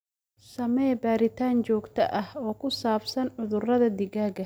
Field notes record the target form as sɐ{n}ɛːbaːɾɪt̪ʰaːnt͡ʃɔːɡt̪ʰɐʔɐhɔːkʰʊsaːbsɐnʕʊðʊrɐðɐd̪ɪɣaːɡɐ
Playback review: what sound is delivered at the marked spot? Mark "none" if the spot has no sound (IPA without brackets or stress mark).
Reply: m